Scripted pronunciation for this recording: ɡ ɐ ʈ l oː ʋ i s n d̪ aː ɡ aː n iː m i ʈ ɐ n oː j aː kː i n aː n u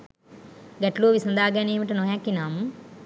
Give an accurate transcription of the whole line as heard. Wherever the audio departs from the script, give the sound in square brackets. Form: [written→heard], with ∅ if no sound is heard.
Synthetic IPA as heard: ɡ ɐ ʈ l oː ʋ i s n d̪ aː ɡ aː n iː m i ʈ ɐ n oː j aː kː i n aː [n→m] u